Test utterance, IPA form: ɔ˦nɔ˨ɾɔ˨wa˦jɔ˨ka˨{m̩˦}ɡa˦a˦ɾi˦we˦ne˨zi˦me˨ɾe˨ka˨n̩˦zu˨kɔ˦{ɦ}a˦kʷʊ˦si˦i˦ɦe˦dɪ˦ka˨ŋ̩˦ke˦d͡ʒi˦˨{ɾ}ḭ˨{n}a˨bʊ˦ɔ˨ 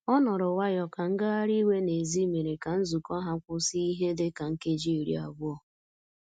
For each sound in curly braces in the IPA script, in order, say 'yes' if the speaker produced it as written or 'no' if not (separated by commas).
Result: no, yes, yes, no